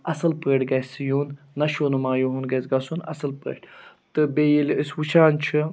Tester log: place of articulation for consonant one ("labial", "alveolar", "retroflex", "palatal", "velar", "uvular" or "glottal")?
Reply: alveolar